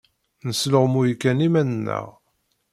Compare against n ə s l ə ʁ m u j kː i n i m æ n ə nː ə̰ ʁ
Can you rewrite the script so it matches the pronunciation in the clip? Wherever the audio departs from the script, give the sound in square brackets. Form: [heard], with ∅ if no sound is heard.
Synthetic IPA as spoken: n ə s l ə ʁ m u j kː [æ] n i m æ n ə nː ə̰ ʁ